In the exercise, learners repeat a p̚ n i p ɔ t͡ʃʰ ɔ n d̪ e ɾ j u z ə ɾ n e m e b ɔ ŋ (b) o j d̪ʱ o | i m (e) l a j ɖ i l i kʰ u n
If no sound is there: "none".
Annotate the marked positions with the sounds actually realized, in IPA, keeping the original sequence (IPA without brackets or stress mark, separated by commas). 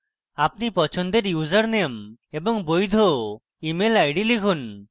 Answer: b, e